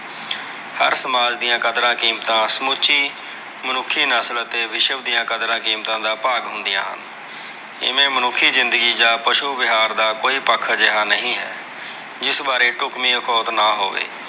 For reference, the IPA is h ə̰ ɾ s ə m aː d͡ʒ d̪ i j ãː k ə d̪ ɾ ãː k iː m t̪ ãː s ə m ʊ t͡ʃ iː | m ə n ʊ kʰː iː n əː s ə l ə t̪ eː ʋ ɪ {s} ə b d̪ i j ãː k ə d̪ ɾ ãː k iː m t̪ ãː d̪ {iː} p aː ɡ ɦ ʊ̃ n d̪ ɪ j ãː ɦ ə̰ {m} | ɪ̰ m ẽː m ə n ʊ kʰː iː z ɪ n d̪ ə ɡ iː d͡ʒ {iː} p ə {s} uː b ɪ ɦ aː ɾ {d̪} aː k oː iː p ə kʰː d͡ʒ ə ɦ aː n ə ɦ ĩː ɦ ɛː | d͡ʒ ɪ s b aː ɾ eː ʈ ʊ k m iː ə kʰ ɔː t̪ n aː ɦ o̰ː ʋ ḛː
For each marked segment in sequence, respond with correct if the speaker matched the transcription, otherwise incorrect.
incorrect: ʃ, incorrect: aː, incorrect: n, incorrect: aː, incorrect: ʃ, correct

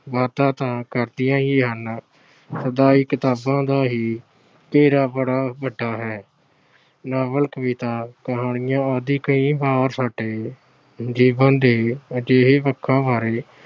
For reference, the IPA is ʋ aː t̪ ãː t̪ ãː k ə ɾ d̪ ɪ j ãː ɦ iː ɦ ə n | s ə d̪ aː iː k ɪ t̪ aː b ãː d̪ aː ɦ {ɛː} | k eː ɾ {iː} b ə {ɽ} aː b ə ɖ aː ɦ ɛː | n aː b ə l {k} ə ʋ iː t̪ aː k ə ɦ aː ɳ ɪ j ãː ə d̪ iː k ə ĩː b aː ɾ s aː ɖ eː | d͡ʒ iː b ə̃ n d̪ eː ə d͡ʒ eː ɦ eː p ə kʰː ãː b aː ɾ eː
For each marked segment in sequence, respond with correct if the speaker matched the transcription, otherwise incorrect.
incorrect: iː, incorrect: aː, correct, correct

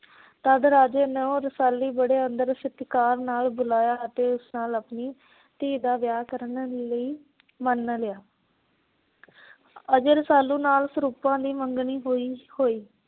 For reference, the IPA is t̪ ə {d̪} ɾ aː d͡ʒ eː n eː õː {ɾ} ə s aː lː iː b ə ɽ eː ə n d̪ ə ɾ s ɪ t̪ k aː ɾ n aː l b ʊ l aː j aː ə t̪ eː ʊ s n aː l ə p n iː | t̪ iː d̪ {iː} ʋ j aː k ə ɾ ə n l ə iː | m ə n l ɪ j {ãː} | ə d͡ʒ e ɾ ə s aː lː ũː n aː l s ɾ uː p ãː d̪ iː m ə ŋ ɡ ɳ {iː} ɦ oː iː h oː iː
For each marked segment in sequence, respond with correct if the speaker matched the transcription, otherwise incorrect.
correct, correct, incorrect: aː, incorrect: aː, correct

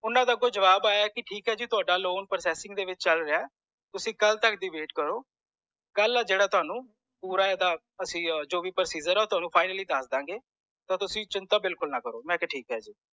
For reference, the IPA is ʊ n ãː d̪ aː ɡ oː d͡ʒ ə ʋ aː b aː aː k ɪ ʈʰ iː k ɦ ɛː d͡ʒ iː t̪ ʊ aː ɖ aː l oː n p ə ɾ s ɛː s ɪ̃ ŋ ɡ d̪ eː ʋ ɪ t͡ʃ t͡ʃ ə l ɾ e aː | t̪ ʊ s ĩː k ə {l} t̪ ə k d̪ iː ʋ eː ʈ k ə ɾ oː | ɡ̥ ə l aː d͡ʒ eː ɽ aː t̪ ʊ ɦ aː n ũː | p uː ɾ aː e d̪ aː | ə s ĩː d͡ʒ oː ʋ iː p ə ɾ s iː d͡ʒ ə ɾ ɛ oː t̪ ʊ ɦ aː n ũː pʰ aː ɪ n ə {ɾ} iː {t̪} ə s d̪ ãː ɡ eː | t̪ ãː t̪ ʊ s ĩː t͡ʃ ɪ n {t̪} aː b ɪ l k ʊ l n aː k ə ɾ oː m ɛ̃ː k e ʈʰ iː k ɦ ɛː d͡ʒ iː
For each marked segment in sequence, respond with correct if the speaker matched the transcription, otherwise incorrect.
correct, incorrect: l, incorrect: d̪, correct

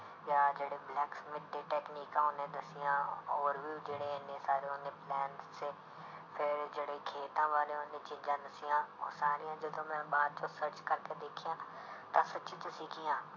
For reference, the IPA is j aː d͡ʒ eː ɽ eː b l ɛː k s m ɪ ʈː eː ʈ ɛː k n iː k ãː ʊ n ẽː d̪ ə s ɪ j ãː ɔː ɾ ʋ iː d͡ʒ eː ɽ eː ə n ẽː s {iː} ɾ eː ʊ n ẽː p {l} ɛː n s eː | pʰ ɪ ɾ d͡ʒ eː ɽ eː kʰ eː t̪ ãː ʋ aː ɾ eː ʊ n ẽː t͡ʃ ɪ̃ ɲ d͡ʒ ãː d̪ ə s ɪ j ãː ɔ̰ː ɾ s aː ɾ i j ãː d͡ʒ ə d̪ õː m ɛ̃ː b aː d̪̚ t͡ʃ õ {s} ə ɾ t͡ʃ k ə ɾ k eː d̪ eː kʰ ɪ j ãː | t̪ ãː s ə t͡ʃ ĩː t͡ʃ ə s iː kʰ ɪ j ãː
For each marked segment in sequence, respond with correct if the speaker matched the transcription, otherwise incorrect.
incorrect: aː, correct, correct

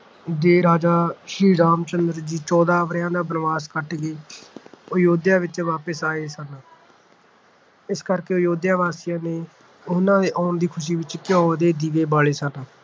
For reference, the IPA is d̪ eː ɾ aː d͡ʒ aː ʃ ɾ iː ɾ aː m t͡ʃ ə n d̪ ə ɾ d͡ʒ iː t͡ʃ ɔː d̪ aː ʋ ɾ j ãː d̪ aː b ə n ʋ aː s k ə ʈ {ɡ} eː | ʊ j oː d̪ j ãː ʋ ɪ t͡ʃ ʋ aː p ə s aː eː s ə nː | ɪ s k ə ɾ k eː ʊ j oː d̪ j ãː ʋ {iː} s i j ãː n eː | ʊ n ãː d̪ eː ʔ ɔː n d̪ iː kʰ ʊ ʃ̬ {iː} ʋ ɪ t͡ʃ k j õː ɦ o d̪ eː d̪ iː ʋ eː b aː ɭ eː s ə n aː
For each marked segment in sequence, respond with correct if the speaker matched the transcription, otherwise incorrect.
correct, incorrect: aː, correct

